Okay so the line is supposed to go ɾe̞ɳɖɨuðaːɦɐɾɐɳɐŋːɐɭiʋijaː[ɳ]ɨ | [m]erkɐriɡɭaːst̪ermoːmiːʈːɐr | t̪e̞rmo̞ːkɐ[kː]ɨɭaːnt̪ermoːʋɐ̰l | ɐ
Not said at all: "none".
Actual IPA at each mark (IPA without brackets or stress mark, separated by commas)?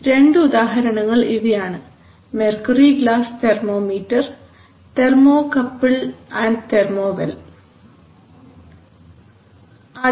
ɳ, m, pː